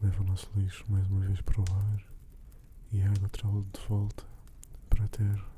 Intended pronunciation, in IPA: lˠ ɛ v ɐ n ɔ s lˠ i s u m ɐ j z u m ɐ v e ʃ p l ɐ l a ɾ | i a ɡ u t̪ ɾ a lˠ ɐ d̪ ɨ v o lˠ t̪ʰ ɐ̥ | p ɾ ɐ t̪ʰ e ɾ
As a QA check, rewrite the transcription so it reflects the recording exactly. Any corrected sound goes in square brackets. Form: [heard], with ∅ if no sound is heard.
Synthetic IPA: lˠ ɛ v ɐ n ɔ s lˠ i [ʃ] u m [a] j z u m ɐ v e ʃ p [ɾ] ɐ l a ɾ | i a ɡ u t̪ ɾ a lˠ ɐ d̪ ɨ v [ɔ] lˠ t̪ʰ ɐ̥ | p ɾ ɐ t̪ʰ e ɾ